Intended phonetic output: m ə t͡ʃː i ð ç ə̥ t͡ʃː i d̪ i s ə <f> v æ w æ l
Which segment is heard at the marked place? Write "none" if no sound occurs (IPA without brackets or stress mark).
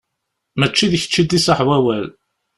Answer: ħ